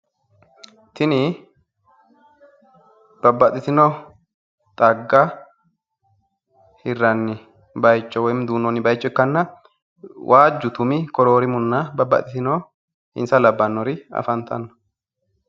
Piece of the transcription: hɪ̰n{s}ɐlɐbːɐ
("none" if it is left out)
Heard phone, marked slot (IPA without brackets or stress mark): s